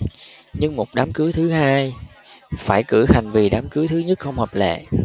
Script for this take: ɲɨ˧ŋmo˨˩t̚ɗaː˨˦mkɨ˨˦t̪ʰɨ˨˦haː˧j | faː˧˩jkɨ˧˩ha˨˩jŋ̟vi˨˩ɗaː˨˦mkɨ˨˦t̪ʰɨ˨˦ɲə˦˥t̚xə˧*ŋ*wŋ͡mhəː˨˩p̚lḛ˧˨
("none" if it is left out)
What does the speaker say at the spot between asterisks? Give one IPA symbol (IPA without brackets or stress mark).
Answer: none